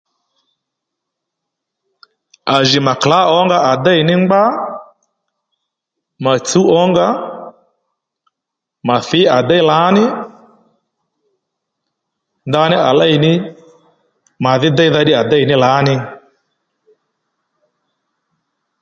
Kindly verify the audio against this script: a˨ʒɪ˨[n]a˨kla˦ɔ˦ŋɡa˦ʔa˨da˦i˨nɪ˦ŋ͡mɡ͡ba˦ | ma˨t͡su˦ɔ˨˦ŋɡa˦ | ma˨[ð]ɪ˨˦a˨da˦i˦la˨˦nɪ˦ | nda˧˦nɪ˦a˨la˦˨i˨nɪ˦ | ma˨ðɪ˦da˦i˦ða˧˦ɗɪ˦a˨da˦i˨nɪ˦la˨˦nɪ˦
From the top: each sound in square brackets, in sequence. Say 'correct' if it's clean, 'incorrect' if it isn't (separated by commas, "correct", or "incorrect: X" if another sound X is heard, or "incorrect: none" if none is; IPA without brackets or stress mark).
incorrect: m, incorrect: θ